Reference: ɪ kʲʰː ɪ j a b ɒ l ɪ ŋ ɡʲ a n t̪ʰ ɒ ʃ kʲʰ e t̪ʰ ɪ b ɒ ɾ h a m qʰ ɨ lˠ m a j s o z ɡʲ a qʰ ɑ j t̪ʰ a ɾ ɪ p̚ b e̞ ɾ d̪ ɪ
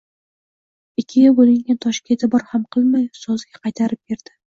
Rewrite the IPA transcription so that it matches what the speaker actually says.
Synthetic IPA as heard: ɪ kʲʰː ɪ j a b o l ɪ ŋ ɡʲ a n t̪ʰ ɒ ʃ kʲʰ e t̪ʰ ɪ b ɒ ɾ h a m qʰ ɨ lˠ m a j s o z ɡʲ a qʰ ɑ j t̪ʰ a ɾ ɪ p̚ b e̞ ɾ d̪ ɪ